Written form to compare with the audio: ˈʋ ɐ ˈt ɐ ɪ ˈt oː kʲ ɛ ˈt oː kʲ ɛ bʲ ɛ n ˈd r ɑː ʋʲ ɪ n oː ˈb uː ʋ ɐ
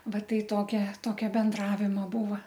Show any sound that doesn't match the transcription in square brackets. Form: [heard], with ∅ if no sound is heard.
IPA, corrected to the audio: ˈʋ ɐ ˈt ɐ ɪ ˈt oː kʲ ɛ ˈt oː kʲ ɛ bʲ ɛ n ˈd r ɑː ʋʲ ɪ [m] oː ˈb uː ʋ ɐ